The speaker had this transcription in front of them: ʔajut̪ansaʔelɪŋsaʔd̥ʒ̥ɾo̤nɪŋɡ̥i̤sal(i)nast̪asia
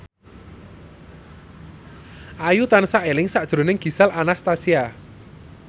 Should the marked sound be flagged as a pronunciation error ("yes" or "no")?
yes